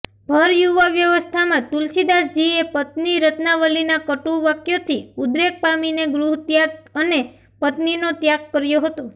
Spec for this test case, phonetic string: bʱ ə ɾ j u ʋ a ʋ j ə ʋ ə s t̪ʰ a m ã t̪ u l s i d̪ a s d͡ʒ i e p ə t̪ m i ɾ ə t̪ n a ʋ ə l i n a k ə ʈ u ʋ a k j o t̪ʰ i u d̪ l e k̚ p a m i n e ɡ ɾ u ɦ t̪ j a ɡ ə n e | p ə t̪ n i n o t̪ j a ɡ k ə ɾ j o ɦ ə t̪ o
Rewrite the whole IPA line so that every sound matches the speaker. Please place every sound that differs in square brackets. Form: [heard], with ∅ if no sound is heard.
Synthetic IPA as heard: bʱ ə ɾ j u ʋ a ʋ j ə ʋ ə s t̪ʰ a m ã t̪ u l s i d̪ a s d͡ʒ i e p ə t̪ [n] i ɾ ə t̪ n a ʋ ə l i n a k ə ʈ u ʋ a k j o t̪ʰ i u d̪ [ɾ] e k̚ p a m i n e ɡ ɾ u ɦ t̪ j a ɡ ə n e | p ə t̪ n i n o t̪ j a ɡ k ə ɾ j o ɦ ə t̪ o